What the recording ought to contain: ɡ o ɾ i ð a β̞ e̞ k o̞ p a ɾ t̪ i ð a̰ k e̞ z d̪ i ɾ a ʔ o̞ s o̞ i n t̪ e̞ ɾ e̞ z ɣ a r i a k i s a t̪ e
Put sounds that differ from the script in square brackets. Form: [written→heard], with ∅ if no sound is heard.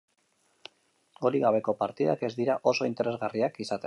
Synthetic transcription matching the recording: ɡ o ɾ i [ð→ɣ] a β̞ e̞ k o̞ p a ɾ t̪ i ð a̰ k e̞ z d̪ i ɾ a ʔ o̞ s o̞ i n t̪ e̞ ɾ e̞ z ɣ a r i a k i s a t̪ e